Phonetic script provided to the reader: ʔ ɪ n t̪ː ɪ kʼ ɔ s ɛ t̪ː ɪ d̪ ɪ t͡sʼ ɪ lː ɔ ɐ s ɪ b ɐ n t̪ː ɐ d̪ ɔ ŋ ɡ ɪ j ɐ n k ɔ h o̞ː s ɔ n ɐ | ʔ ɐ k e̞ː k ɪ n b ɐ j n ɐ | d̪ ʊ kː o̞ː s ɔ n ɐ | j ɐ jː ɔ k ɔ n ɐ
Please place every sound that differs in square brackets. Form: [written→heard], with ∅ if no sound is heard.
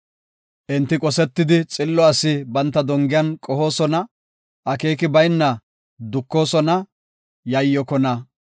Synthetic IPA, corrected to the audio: ʔ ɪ n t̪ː ɪ kʼ ɔ s ɛ t̪ː ɪ d̪ ɪ t͡sʼ ɪ lː ɔ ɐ s ɪ b ɐ n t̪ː ɐ d̪ ɔ ŋ ɡ ɪ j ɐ n [k→kʼ] ɔ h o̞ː s ɔ n ɐ | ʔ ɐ k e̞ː k ɪ [n→∅] b ɐ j [n→nː] ɐ | d̪ ʊ kː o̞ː s ɔ n ɐ | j ɐ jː ɔ k ɔ n ɐ